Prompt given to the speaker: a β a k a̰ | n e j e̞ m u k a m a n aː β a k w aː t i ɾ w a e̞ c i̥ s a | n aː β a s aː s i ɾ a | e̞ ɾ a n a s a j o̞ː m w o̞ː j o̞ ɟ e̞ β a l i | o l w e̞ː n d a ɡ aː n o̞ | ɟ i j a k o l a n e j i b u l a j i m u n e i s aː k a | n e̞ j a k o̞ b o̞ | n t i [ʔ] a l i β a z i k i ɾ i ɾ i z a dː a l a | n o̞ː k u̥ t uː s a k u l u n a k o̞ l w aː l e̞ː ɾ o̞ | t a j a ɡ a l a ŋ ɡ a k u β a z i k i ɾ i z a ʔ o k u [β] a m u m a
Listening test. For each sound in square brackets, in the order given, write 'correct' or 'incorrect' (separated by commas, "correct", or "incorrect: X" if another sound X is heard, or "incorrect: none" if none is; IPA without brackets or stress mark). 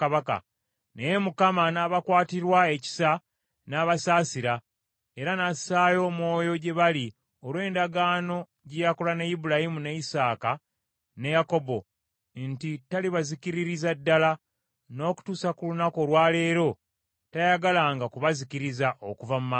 incorrect: t, incorrect: v